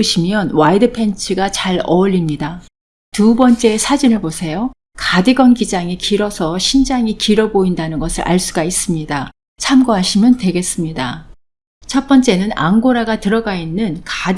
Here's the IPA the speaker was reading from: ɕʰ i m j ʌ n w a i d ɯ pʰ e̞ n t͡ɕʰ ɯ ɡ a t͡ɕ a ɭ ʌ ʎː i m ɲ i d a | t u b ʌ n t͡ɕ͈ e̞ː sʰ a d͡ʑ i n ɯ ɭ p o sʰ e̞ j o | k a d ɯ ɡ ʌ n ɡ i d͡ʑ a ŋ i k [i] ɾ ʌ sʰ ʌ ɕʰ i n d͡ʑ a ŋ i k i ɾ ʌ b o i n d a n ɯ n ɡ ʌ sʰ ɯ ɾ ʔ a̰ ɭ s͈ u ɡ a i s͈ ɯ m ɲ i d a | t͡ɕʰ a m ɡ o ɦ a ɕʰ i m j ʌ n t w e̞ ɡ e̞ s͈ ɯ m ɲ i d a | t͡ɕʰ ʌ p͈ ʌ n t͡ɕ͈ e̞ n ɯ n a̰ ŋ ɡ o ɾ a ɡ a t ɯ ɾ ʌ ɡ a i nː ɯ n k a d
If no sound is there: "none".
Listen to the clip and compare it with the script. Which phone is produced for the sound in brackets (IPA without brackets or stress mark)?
i